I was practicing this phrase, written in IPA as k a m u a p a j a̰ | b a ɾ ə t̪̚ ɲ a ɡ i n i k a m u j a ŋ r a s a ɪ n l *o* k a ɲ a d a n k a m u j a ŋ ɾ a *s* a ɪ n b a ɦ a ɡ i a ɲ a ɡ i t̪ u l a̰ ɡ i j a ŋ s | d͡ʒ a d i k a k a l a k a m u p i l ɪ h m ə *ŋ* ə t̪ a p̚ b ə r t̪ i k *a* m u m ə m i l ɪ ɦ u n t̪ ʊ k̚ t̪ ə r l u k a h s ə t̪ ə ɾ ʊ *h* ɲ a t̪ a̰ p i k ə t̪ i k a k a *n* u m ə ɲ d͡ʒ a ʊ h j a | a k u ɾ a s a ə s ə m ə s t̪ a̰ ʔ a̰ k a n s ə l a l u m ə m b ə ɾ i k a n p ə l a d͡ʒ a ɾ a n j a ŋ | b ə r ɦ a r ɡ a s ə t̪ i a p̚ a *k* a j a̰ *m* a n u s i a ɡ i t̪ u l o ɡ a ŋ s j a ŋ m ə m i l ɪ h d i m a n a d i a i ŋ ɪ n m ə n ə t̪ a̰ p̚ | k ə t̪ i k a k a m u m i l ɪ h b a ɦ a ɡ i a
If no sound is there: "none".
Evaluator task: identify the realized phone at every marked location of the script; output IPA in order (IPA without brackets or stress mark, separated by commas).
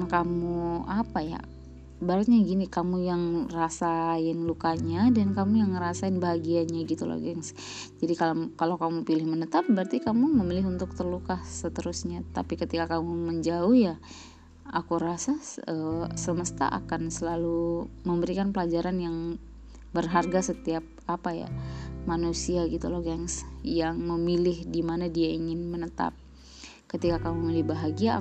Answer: u, s, n, a, s, m, p, m